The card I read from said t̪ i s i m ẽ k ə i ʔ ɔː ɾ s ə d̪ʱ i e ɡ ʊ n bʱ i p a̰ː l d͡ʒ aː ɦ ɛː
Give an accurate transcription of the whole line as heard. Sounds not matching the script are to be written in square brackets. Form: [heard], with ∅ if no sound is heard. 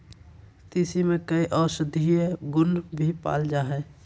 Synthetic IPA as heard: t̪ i s i m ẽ k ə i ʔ ɔː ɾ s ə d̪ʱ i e ɡ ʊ n bʱ i p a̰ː l d͡ʒ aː ɦ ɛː